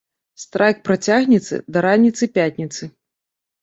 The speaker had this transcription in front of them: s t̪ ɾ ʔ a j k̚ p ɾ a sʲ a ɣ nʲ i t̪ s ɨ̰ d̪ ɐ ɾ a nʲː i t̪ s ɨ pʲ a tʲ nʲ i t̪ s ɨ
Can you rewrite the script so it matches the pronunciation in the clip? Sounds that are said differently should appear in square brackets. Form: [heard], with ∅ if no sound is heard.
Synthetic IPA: s t̪ ɾ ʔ a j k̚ p ɾ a [t͡sʲ] a ɣ nʲ i t̪ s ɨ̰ d̪ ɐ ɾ a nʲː i t̪ s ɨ pʲ a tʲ nʲ i t̪ s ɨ